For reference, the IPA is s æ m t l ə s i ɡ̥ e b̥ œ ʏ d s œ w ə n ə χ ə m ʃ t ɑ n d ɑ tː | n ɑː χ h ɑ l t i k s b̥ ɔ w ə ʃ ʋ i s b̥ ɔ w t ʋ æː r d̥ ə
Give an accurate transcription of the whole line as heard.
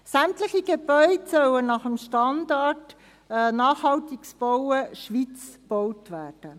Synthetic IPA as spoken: s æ m t l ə χ i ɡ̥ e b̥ œ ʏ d s œ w ə n ɑ χ ə m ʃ t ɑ n d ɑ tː | n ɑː χ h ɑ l t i k s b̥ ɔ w ə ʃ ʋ i t͡s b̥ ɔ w t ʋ æː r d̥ ə